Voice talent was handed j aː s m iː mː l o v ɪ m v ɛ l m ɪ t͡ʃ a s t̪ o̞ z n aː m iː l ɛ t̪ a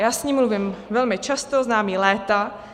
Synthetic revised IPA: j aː s ɲ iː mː l u v ɪ m v ɛ l m ɪ t͡ʃ a s t̪ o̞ z n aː m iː l ɛː t̪ a